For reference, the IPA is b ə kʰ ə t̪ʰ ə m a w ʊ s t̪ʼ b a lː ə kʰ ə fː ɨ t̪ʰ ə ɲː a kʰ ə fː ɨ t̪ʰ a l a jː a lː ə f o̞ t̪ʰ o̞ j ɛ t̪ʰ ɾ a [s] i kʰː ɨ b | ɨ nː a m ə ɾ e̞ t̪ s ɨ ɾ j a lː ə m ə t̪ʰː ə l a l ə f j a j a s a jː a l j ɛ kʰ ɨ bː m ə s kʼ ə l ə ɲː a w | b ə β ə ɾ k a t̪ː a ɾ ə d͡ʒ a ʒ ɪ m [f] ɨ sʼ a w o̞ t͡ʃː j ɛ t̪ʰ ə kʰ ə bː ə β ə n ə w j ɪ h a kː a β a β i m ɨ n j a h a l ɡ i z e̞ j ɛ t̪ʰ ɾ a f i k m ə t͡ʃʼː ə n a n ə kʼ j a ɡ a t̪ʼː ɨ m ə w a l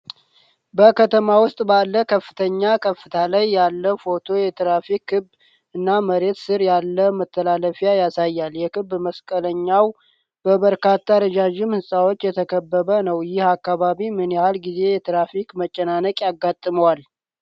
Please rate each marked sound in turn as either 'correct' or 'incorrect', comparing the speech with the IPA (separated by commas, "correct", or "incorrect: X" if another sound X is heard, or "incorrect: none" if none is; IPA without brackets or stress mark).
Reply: incorrect: f, incorrect: h